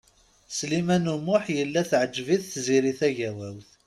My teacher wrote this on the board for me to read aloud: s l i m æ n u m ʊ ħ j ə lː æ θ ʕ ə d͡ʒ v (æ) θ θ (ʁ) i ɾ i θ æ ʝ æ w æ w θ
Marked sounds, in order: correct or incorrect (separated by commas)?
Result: incorrect, incorrect